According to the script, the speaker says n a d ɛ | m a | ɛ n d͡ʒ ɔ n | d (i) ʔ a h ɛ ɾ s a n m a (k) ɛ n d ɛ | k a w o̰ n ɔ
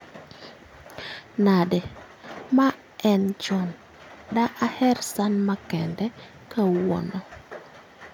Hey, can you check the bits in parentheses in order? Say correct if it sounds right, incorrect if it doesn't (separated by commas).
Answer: incorrect, correct